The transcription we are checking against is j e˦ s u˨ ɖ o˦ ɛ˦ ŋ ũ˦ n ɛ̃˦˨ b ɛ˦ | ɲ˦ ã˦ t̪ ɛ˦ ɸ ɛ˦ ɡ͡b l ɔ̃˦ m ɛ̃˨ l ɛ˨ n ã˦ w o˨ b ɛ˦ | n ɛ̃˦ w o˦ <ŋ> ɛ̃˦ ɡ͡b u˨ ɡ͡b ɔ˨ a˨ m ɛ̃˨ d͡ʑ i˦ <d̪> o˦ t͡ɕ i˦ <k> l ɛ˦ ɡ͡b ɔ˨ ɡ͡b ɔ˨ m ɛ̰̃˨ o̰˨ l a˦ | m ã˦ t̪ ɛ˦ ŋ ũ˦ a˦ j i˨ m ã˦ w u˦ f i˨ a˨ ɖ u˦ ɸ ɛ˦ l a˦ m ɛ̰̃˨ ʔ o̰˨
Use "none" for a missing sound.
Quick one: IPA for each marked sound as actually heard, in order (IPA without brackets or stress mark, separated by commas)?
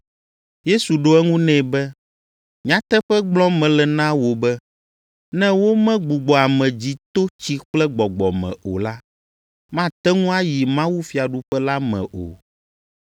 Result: m, t̪, k͡p